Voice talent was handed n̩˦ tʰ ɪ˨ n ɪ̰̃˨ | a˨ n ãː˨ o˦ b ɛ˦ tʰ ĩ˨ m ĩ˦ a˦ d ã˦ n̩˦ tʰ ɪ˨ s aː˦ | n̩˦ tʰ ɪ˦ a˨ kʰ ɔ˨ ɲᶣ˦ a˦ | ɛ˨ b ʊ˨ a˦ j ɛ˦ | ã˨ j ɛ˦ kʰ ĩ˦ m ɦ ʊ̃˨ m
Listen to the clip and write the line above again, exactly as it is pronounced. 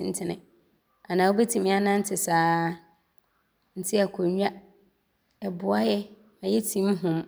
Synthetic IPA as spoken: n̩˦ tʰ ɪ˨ n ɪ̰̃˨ | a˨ n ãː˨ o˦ b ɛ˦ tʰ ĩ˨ m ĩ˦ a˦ n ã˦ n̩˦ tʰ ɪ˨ s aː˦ | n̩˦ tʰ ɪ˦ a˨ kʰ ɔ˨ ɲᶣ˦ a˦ | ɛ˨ b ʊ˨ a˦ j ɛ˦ | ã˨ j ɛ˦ tʰ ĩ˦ m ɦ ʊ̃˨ m

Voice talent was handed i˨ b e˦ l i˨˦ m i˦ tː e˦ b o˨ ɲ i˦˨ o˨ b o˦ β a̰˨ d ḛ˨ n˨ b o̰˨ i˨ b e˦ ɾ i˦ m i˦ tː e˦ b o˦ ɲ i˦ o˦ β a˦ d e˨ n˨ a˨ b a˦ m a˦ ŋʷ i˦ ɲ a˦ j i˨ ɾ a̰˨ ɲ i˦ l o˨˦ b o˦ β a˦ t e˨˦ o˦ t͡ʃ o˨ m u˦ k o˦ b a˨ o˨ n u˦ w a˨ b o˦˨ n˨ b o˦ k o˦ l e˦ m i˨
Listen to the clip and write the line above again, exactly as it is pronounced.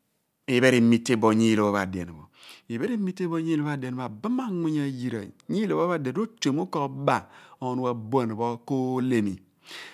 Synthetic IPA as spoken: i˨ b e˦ ɾ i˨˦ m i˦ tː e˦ b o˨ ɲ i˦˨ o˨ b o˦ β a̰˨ d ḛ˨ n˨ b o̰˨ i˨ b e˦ ɾ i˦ m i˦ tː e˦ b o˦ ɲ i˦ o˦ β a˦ d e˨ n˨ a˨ b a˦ m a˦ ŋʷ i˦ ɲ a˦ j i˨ ɾ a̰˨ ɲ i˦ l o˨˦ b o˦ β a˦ d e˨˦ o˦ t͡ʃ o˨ m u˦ k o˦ b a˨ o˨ n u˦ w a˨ b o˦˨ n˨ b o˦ k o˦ l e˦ m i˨

